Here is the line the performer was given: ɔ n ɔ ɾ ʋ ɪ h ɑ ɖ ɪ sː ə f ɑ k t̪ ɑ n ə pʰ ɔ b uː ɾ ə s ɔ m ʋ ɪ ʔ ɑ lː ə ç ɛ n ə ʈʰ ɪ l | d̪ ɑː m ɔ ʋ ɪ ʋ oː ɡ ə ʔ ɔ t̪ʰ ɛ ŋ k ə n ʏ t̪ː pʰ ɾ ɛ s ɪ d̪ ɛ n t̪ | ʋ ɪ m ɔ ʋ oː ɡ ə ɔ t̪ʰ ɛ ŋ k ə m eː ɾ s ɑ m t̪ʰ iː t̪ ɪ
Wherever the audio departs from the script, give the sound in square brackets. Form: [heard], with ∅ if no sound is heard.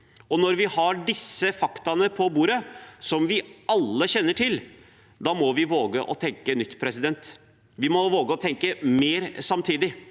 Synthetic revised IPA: ɔ n ɔ ɾ ʋ ɪ h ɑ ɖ ɪ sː ə f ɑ k t̪ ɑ n ə pʰ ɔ b uː ɾ ə s ɔ m ʋ ɪ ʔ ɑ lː ə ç ɛ [nː] ə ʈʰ ɪ l | d̪ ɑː m ɔ ʋ ɪ ʋ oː ɡ ə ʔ ɔ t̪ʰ ɛ ŋ k ə n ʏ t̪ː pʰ ɾ ɛ s ɪ d̪ ɛ n t̪ | ʋ ɪ m ɔ ʋ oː ɡ ə ɔ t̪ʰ ɛ ŋ k ə m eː ɾ s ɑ m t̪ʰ iː [d̪] ɪ